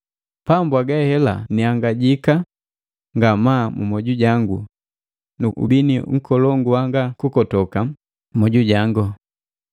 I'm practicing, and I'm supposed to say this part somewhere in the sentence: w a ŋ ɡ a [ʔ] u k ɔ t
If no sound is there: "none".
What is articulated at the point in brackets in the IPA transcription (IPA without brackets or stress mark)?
k